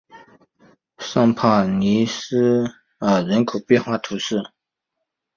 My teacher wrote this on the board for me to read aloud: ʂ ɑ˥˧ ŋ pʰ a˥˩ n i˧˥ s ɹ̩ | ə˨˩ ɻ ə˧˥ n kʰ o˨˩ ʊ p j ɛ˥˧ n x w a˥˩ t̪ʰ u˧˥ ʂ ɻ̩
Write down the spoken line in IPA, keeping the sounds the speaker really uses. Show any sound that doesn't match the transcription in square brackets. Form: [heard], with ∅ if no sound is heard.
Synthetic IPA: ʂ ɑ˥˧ ŋ pʰ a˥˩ n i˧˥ s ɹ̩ | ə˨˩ ɻ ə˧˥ n kʰ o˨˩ ʊ p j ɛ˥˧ n x w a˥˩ t̪ʰ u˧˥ ʂ ɻ̩